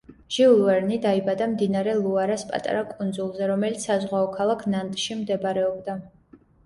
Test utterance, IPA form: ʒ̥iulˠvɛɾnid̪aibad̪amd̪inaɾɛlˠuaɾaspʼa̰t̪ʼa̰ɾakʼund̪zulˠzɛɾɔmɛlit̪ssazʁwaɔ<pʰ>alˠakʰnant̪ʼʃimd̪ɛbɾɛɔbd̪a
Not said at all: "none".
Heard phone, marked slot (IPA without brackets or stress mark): kʰ